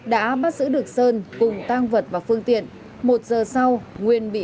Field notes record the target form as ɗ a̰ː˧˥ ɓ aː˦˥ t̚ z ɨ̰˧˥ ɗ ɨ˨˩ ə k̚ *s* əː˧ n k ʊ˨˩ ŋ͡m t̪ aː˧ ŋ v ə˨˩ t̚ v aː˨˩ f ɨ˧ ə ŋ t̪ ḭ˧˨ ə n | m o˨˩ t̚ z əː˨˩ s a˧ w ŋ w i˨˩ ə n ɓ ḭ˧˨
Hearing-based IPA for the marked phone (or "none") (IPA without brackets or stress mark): s